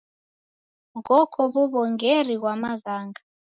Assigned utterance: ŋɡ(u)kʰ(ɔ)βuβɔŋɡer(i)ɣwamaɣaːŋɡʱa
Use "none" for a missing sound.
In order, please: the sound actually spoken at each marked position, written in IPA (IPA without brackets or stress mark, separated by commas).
ɔ, ɔ, i